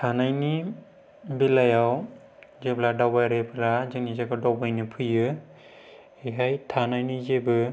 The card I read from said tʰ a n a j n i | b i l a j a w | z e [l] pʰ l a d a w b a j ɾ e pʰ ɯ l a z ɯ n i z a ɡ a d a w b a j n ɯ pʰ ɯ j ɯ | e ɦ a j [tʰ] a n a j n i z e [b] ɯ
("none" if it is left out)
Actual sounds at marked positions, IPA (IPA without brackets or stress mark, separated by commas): none, tʰ, b